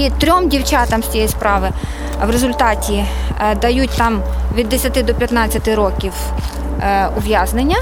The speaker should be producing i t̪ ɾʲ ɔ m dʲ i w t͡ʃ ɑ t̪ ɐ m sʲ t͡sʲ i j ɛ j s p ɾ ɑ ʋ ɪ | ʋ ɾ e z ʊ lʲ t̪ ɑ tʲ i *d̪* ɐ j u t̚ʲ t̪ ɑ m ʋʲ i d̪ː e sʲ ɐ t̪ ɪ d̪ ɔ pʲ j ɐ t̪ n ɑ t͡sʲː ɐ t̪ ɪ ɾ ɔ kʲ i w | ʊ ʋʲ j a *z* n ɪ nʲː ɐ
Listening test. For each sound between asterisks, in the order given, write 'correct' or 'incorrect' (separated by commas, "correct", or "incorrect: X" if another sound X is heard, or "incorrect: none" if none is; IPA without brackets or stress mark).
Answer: correct, correct